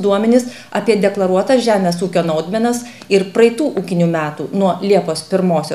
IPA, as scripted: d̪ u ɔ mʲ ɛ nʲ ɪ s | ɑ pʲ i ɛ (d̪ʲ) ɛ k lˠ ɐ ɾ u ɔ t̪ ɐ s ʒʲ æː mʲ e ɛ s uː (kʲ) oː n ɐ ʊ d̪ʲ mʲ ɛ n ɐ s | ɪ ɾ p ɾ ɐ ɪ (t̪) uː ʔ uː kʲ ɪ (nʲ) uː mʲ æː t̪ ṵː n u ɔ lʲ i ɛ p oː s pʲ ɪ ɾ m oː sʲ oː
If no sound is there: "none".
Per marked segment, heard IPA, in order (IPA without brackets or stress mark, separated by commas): d̪ʲ, kʲ, t̪, nʲ